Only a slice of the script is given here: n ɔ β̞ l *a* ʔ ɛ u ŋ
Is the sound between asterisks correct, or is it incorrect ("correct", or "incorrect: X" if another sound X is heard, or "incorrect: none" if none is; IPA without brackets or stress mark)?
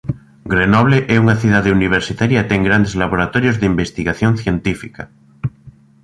incorrect: e